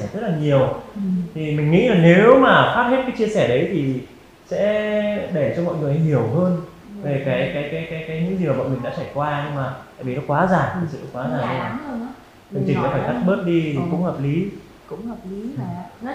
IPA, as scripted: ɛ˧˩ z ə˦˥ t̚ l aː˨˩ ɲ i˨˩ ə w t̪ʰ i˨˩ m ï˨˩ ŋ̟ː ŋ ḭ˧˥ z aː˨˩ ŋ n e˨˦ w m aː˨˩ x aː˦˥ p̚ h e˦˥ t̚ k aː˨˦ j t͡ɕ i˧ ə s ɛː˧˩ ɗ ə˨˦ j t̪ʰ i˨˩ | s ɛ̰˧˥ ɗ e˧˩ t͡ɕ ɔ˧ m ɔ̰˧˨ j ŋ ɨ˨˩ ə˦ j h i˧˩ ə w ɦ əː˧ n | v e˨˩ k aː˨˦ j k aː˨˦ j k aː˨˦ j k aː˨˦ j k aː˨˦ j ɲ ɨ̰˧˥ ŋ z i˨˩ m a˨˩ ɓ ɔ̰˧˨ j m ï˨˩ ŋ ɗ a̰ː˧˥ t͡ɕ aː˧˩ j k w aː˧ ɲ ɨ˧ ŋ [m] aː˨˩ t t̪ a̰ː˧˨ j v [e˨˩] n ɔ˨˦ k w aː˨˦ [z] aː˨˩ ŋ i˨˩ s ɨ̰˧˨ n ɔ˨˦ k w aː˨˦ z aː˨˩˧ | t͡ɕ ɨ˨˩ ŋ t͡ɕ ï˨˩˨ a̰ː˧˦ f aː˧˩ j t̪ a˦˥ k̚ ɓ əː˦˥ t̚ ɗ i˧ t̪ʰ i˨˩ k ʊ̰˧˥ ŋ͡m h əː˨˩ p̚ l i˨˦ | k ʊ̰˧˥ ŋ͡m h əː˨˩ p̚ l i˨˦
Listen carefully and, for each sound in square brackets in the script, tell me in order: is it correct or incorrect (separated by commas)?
correct, incorrect, correct